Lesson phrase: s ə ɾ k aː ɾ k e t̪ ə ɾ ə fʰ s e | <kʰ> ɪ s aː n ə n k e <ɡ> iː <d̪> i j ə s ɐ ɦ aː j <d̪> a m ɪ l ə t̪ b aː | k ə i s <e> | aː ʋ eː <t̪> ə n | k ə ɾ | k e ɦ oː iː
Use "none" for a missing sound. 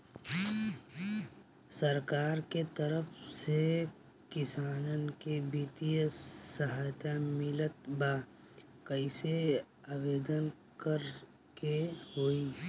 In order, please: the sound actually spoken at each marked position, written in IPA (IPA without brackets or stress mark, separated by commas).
k, b, t̪, t̪, e, d̪